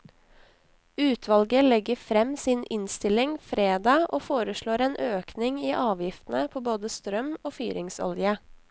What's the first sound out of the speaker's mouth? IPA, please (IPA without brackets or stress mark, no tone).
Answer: ʉː